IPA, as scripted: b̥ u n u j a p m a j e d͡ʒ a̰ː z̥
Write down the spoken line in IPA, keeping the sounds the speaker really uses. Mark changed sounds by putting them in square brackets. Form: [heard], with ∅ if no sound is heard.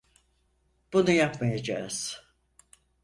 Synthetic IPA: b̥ u n u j a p m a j [a] d͡ʒ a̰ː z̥